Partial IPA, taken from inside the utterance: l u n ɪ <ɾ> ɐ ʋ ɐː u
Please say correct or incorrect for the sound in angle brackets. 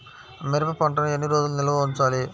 incorrect